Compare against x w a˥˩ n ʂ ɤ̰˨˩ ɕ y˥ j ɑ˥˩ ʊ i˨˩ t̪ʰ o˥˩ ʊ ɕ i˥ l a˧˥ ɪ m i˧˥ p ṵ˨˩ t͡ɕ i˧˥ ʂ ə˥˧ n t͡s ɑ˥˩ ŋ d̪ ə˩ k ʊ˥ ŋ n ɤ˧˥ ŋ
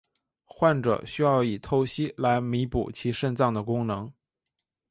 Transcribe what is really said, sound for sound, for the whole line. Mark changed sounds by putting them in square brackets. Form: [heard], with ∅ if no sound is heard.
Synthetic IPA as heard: x w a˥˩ n [ʈ͡ʂ] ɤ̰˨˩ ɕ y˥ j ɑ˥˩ ʊ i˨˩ t̪ʰ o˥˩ ʊ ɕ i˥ l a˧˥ ɪ m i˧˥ p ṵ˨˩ [t͡ɕʰ] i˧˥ ʂ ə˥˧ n t͡s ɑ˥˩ ŋ d̪ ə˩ k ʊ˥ ŋ n ɤ˧˥ ŋ